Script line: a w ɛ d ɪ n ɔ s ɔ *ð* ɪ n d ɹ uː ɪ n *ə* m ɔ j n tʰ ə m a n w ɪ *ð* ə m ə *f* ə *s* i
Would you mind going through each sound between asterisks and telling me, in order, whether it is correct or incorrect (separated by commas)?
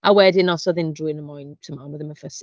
correct, correct, correct, correct, correct